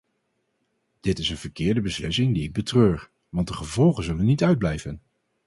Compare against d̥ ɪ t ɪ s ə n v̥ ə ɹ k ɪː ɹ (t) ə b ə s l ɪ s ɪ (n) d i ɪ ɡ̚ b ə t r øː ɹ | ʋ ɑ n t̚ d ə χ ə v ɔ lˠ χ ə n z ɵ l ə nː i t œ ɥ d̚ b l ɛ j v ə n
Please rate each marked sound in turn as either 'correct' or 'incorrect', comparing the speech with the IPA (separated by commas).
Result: incorrect, incorrect